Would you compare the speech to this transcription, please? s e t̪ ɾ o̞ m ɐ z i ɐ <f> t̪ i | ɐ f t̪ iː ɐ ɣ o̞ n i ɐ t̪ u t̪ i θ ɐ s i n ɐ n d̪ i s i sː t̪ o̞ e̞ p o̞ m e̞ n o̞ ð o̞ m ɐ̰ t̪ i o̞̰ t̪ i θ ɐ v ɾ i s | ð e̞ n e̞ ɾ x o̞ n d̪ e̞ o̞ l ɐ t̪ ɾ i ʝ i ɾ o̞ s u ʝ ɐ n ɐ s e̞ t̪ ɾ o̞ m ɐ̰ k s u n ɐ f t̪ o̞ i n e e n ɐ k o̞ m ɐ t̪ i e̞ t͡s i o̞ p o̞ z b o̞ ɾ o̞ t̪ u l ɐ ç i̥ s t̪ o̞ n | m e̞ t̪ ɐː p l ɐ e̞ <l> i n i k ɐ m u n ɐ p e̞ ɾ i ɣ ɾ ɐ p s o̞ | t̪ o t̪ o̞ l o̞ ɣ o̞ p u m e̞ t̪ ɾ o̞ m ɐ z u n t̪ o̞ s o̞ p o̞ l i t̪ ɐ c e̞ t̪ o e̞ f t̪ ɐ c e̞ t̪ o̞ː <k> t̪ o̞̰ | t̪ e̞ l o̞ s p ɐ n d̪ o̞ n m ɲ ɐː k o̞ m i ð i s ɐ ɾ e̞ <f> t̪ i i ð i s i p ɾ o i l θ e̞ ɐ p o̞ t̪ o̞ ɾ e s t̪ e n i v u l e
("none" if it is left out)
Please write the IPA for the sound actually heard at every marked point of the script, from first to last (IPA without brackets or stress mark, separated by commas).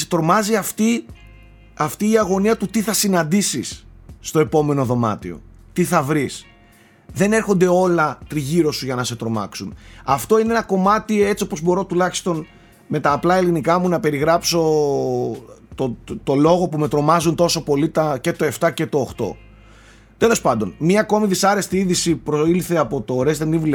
f, l, x, s